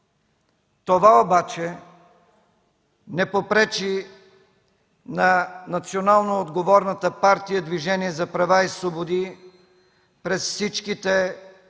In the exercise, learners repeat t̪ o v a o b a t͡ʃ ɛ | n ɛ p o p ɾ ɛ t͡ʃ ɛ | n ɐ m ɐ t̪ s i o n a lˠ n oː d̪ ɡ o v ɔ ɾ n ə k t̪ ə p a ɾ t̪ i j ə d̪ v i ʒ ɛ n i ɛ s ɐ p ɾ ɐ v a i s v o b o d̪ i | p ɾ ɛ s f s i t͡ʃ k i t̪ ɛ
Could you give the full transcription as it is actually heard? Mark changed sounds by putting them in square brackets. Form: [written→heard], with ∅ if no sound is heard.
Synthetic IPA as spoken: t̪ o v a o b a t͡ʃ ɛ | n ɛ p o p ɾ ɛ t͡ʃ [ɛ→i] | n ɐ [m→n] ɐ t̪ s i o n a lˠ n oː d̪ ɡ o v ɔ ɾ n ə [k→∅] t̪ ə p a ɾ t̪ i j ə d̪ v i ʒ ɛ n i ɛ [s→z] ɐ p ɾ ɐ v a i s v o b o d̪ i | p ɾ ɛ s f s i t͡ʃ k i t̪ ɛ

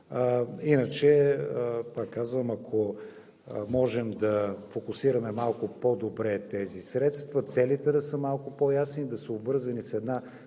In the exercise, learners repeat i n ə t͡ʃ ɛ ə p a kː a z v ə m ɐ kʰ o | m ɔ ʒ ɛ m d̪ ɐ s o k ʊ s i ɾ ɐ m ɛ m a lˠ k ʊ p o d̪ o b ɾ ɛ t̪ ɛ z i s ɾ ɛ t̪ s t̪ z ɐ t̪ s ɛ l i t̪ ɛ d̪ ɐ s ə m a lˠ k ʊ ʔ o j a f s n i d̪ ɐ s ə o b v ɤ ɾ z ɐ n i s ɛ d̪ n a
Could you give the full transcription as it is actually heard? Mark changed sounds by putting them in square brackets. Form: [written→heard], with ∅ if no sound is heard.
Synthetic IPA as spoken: i n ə t͡ʃ ɛ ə p a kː a z v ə m ɐ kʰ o | m ɔ ʒ ɛ m d̪ ɐ [s→f] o k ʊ s i ɾ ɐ m ɛ m a lˠ k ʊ p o d̪ o b ɾ ɛ t̪ ɛ z i s ɾ ɛ t̪ s t̪ [z→v] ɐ t̪ s ɛ l i t̪ ɛ d̪ ɐ s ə m a lˠ k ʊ [ʔ→p] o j a [f→∅] s n i d̪ ɐ s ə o b v ɤ ɾ z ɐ n i s ɛ d̪ n a

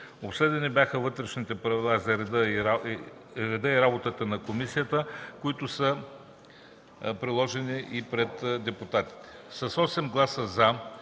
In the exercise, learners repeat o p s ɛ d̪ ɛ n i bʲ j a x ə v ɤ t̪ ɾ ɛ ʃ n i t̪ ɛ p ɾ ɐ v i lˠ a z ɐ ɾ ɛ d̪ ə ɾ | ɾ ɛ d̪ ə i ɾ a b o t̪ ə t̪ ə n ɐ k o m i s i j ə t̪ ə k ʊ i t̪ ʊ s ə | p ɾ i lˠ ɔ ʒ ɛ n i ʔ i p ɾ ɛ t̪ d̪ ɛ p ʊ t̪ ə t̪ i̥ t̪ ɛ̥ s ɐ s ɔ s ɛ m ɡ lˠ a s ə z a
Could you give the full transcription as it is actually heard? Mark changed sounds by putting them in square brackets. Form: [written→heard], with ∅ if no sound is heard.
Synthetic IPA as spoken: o p s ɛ d̪ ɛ n i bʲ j a x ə v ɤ t̪ ɾ ɛ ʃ n i t̪ ɛ p ɾ ɐ v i lˠ a z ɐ ɾ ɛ d̪ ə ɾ | ɾ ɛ d̪ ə i ɾ a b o t̪ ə t̪ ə n ɐ k o m i s i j ə t̪ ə k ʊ i t̪ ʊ s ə | p ɾ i lˠ ɔ ʒ ɛ n i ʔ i p ɾ ɛ t̪ d̪ ɛ p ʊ t̪ [ə→a] t̪ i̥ t̪ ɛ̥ s ɐ s ɔ s ɛ m ɡ lˠ a s ə z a

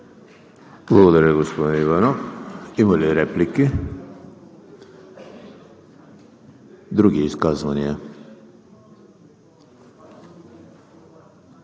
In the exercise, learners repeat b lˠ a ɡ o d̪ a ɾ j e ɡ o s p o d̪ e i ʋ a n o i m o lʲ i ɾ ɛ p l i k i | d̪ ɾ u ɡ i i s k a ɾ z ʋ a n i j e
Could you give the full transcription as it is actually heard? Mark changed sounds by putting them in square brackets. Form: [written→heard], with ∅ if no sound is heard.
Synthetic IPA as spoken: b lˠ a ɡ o d̪ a ɾ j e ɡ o s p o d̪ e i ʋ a n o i m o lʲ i ɾ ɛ p l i k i | d̪ ɾ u ɡ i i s k a [ɾ→∅] z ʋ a n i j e

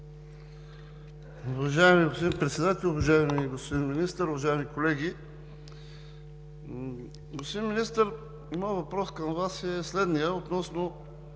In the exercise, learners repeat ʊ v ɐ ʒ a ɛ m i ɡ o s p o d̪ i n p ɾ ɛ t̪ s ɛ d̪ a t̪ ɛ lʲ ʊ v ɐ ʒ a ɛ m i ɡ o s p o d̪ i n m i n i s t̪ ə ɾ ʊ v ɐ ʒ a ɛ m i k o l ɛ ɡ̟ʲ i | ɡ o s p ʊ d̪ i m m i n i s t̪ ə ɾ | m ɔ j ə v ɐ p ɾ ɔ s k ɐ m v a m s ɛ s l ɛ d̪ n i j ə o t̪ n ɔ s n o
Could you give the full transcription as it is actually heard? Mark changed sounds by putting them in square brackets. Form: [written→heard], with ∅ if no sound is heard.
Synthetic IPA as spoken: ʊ v ɐ ʒ a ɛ m i ɡ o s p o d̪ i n p ɾ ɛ t̪ s ɛ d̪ a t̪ ɛ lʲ ʊ v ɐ ʒ a ɛ m i ɡ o s p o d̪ i n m i n i s t̪ ə ɾ ʊ v ɐ ʒ a ɛ m i k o l ɛ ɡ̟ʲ i | ɡ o s p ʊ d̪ i [m→n] m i n i s t̪ ə ɾ | m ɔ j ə v ɐ p ɾ ɔ s k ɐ m v a [m→∅] s ɛ s l ɛ d̪ n i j ə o t̪ n ɔ s n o

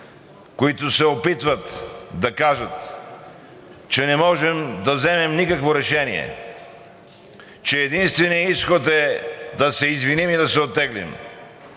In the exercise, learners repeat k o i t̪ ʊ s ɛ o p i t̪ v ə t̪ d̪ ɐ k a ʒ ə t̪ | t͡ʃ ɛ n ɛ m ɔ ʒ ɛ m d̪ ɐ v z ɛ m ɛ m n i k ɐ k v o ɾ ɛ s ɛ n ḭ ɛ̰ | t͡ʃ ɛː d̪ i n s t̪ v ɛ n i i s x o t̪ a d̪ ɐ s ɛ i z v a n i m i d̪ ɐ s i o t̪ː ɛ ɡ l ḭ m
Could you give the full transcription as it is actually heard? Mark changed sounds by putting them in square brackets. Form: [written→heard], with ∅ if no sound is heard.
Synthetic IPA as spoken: k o i t̪ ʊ s ɛ o p i t̪ v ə t̪ d̪ ɐ k a ʒ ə t̪ | t͡ʃ ɛ n ɛ m ɔ ʒ ɛ m d̪ ɐ v z ɛ m ɛ m n i k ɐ k v o ɾ ɛ [s→ʃ] ɛ n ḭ ɛ̰ | t͡ʃ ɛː d̪ i n s t̪ v ɛ n i i s x o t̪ [a→ɛ] d̪ ɐ s ɛ i z v [a→i] n i m i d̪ ɐ s [i→ɛ] o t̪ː ɛ ɡ l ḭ m

